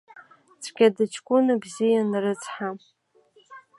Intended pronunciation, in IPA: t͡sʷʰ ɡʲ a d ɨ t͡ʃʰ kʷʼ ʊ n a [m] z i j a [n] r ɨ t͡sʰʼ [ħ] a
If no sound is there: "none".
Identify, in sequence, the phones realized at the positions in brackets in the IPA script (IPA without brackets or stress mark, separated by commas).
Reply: b, n, ħ